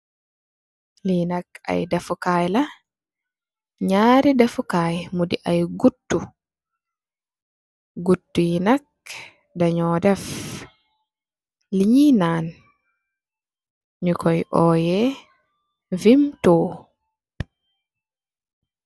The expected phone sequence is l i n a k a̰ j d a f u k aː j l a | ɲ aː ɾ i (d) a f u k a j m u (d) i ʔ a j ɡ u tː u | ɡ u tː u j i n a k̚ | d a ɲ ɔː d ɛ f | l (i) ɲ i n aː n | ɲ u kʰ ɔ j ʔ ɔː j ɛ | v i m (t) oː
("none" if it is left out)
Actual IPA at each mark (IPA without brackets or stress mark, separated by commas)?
d, d, i, t